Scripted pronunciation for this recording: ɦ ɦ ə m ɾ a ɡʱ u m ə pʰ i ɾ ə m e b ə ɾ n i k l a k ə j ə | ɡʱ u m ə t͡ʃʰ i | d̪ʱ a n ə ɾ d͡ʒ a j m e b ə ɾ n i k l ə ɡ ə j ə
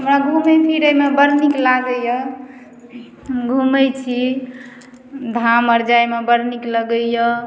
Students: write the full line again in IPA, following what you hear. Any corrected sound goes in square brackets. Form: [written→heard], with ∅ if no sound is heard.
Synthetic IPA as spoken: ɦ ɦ ə m ɾ a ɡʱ u m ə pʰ i ɾ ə m e b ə ɾ n i k l a [k→ɡ] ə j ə | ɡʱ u m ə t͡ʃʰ i | d̪ʱ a [n→m] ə ɾ d͡ʒ a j m e b ə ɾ n i k l ə ɡ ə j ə